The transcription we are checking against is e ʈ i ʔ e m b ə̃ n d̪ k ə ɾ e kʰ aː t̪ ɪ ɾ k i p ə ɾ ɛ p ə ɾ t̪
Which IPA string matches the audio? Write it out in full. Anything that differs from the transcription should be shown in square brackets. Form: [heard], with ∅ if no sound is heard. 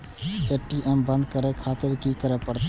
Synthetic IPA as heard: e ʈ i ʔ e m b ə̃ n d̪ k ə ɾ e kʰ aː t̪ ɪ ɾ k i [k] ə ɾ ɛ p ə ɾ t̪